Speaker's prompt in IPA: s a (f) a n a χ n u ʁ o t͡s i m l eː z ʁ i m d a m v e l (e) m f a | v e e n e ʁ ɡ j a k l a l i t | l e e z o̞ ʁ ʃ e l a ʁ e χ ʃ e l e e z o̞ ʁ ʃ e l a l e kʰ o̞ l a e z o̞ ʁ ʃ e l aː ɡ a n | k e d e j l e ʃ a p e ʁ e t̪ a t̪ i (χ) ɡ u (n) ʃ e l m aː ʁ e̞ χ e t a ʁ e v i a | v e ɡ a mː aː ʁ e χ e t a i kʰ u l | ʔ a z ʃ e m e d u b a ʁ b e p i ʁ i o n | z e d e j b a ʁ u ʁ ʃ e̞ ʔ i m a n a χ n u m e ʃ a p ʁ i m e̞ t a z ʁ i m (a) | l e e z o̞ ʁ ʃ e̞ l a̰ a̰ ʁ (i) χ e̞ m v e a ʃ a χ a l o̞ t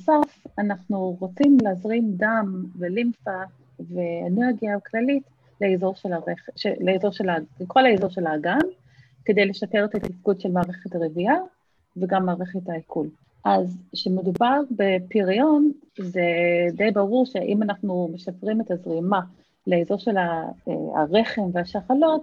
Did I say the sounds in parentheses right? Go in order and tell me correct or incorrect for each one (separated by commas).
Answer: correct, incorrect, incorrect, incorrect, correct, incorrect